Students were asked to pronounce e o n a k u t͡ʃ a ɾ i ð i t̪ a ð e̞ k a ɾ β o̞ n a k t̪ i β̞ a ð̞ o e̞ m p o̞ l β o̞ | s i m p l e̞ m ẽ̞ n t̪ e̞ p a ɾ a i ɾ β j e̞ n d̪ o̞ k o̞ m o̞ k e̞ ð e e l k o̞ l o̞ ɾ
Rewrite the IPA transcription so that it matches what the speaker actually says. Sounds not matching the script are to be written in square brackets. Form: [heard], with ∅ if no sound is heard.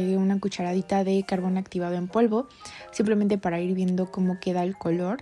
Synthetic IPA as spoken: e [u] n a k u t͡ʃ a ɾ [a] ð i t̪ a ð e̞ k a ɾ β o̞ n a k t̪ i β̞ a ð̞ o e̞ m p o̞ l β o̞ | s i m p l e̞ m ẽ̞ n t̪ e̞ p a ɾ a i ɾ β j e̞ n d̪ o̞ k o̞ m o̞ k e̞ ð [a] e l k o̞ l o̞ ɾ